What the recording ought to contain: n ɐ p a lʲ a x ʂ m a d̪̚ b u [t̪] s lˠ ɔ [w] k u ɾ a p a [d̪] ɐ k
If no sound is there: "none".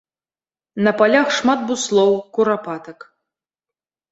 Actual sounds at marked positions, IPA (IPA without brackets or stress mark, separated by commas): none, w, t̪